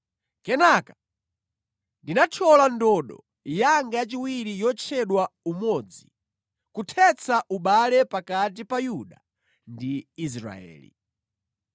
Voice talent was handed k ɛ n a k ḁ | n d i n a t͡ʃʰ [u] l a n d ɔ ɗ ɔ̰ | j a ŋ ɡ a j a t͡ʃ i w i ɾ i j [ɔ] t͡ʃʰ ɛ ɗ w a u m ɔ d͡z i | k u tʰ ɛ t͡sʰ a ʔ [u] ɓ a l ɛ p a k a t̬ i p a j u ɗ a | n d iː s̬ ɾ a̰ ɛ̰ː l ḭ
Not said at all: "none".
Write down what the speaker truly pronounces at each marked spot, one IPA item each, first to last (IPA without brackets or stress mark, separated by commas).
ɔ, ɔ, u